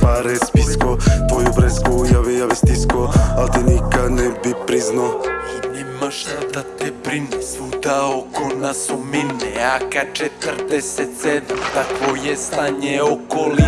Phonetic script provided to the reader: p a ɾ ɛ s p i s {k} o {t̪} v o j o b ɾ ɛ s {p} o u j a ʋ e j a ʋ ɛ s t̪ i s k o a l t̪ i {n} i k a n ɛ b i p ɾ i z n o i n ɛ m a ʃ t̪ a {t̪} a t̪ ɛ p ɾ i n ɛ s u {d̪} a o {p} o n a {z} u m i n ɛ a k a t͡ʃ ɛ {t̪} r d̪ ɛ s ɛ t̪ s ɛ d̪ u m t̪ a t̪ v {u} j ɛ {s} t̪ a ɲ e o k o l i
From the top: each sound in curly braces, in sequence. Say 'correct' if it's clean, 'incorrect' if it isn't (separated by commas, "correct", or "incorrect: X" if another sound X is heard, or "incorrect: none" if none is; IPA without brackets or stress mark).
correct, correct, incorrect: k, correct, incorrect: d̪, correct, incorrect: k, incorrect: s, correct, incorrect: o, correct